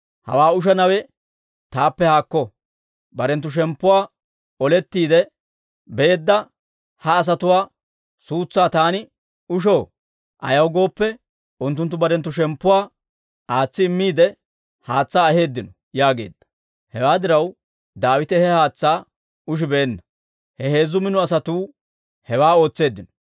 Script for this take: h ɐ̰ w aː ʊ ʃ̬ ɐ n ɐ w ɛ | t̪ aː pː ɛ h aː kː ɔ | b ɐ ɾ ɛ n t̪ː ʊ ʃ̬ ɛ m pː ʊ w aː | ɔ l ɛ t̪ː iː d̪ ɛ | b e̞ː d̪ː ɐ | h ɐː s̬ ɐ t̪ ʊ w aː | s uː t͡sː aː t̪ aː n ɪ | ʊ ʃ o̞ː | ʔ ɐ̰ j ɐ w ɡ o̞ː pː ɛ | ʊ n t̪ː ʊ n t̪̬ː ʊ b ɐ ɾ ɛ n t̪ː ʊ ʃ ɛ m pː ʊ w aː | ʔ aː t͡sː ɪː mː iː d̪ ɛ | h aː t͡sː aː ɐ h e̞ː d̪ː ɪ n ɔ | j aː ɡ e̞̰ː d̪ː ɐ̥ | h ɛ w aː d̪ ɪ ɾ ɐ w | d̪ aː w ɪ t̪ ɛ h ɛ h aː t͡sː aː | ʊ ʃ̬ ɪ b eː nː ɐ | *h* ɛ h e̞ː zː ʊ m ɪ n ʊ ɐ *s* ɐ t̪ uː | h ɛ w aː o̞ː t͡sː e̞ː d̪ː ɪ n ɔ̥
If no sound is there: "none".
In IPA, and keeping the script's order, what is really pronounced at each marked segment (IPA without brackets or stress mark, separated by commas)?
h, s